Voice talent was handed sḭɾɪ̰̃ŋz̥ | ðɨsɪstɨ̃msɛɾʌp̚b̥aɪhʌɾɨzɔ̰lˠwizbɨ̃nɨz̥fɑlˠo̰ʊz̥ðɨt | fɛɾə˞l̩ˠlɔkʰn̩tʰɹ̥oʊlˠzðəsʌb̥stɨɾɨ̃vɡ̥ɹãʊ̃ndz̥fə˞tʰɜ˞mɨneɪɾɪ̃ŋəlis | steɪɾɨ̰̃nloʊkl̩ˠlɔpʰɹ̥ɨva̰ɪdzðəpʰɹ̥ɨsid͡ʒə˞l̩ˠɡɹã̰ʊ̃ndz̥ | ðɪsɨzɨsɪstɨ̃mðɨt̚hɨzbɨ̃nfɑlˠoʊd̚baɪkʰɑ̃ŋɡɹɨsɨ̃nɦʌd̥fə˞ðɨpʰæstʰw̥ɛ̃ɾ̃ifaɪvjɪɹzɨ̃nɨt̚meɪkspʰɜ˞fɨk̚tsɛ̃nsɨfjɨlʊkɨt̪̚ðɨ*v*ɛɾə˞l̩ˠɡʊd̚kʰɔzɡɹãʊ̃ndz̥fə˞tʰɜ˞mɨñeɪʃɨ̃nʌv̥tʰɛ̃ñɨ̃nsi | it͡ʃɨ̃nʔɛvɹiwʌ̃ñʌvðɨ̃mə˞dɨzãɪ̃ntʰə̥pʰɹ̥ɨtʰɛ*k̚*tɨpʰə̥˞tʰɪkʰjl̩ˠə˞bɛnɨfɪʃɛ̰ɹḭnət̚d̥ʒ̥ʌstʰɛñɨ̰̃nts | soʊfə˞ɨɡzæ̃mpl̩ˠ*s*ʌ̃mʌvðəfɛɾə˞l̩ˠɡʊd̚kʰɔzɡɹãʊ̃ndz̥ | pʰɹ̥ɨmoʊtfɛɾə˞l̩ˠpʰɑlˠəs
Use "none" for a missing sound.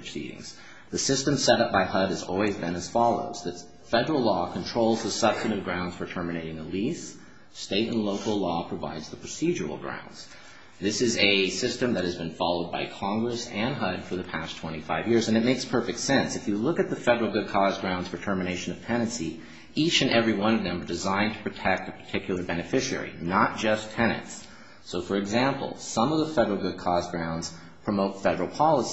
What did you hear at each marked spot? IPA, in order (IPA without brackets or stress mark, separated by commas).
f, k̚, s